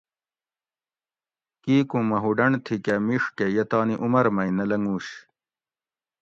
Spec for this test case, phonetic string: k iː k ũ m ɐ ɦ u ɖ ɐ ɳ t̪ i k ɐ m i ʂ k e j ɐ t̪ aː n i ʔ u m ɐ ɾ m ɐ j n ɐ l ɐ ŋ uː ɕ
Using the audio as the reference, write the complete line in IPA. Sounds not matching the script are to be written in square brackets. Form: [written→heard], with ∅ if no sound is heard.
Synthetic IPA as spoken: k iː k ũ m ɐ ɦ u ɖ ɐ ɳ [t̪→t̪ʰ] i k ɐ m i ʂ k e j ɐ t̪ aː n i ʔ u m ɐ ɾ m ɐ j n ɐ l ɐ ŋ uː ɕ